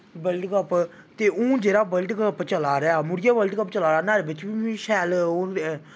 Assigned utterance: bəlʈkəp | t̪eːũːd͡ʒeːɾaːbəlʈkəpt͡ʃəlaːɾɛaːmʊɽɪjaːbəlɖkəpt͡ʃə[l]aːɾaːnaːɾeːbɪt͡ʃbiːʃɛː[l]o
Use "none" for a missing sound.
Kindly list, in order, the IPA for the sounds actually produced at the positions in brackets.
l, l

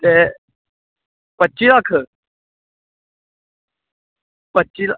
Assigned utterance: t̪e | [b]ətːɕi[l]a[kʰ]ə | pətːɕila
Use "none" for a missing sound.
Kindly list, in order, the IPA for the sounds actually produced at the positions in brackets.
p, l, kʰ

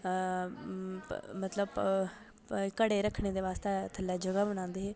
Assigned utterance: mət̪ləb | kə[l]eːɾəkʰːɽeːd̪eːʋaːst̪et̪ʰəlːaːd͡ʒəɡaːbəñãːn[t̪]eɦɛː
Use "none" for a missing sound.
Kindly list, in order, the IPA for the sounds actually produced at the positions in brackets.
ɽ, d̪

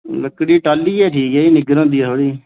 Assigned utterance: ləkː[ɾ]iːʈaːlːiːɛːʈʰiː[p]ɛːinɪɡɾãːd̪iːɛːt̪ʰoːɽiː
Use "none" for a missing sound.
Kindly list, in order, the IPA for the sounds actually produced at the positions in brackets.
ɽ, k

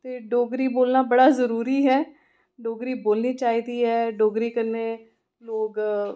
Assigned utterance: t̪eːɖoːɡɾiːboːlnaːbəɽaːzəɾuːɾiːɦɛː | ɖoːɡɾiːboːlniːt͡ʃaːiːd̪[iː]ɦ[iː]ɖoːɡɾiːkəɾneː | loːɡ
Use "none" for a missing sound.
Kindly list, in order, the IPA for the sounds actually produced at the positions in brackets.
iː, ɛː

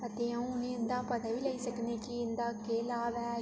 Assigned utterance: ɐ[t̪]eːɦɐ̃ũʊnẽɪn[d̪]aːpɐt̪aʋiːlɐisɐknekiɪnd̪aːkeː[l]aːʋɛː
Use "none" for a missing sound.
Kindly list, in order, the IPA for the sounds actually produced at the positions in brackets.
t̪, d̪, l

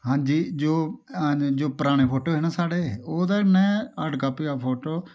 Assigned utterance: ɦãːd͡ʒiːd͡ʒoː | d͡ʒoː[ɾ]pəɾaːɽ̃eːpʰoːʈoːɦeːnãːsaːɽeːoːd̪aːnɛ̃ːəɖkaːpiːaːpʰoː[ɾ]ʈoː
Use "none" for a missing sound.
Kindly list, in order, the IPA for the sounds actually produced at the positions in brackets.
none, none

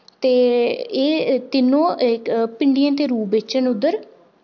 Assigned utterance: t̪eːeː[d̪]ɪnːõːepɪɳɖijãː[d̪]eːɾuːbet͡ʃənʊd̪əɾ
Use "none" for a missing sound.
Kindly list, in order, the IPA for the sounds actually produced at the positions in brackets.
t̪, t̪

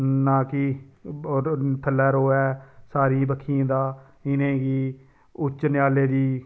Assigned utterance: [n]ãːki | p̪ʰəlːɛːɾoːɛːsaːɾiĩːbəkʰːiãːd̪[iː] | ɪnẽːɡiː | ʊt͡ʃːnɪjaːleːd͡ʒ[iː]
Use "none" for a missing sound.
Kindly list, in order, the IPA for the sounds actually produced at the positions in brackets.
n, aː, iː

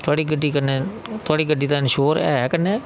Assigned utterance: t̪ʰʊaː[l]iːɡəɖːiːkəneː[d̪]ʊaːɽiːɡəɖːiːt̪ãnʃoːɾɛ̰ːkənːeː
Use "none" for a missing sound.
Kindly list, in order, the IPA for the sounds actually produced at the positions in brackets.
ɽ, t̪

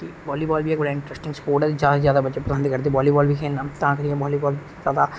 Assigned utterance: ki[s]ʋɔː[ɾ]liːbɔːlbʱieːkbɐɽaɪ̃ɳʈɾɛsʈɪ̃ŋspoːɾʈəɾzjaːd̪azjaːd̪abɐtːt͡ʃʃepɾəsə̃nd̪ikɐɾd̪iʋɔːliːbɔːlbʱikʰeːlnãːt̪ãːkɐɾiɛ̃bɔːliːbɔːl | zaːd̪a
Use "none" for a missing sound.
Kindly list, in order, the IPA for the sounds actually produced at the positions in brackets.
none, none

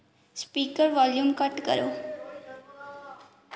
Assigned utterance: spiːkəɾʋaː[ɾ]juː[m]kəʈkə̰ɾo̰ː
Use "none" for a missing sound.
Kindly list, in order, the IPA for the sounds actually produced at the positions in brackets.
l, m

